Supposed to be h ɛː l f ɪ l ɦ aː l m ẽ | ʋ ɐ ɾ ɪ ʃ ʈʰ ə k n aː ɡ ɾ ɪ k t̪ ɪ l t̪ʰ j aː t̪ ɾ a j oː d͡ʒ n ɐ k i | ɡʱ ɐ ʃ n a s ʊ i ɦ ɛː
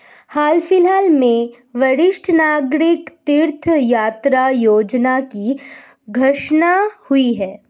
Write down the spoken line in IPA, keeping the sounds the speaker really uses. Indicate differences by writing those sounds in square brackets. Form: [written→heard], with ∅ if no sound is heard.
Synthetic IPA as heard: h [ɛː→aː] l f ɪ l ɦ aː l m ẽ | ʋ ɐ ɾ ɪ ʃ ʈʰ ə [k→∅] n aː ɡ ɾ ɪ k t̪ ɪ [l→ɾ] t̪ʰ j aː t̪ ɾ a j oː d͡ʒ n [ɐ→a] k i | ɡʱ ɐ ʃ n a [s→h] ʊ i ɦ ɛː